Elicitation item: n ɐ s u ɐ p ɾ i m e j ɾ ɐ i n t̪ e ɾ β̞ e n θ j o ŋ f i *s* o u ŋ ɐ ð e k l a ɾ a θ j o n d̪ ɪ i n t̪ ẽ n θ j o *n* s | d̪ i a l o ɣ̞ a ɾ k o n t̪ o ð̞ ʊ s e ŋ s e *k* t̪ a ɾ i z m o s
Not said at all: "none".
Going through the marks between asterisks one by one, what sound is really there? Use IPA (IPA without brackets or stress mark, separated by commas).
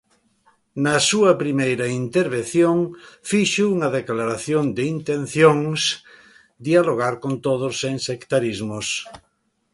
ʃ, ŋ, k